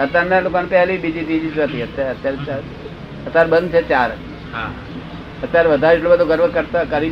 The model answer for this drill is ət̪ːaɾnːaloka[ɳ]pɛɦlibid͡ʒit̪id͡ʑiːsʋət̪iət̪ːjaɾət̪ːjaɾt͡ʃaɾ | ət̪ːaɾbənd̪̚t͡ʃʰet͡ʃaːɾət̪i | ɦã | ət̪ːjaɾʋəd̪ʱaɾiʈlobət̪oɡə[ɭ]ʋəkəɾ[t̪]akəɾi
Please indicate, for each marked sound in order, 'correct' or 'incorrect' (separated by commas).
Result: incorrect, incorrect, correct